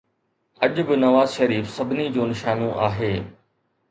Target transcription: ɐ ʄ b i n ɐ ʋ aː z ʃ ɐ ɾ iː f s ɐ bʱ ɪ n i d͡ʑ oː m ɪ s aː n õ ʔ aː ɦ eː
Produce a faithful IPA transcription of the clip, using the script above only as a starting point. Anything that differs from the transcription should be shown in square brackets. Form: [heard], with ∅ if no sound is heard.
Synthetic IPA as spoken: ɐ ʄ b [ɪ] n ɐ ʋ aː z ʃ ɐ ɾ iː f s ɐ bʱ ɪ n i d͡ʑ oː [n] ɪ [ʃ] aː n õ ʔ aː ɦ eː